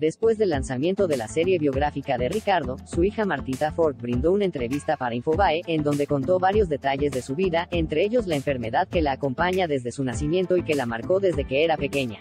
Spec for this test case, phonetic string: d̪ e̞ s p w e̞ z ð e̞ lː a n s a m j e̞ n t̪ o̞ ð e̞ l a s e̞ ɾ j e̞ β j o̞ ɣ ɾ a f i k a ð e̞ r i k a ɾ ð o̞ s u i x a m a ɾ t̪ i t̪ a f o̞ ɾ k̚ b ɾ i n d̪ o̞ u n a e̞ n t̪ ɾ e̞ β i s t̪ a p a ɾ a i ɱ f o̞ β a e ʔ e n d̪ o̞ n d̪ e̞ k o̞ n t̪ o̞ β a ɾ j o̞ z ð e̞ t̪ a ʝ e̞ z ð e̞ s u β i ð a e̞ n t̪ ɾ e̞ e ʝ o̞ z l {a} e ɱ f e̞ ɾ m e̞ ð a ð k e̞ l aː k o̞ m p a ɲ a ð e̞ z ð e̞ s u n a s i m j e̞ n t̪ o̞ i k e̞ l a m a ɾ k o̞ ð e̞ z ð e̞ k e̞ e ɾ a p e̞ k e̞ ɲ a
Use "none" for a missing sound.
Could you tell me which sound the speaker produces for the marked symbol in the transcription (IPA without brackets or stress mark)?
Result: a